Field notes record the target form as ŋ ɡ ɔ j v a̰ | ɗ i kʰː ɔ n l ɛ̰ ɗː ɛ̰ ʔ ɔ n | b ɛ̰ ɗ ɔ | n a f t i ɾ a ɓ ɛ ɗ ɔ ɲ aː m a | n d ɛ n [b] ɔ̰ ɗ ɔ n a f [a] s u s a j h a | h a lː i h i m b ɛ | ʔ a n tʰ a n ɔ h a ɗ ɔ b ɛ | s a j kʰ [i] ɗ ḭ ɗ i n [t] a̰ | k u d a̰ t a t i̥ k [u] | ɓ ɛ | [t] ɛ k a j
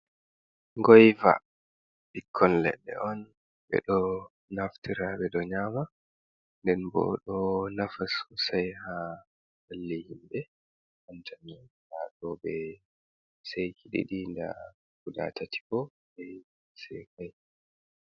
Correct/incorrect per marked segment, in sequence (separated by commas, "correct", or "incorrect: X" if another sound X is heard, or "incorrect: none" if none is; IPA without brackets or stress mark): correct, correct, correct, incorrect: d, incorrect: ɔ, incorrect: s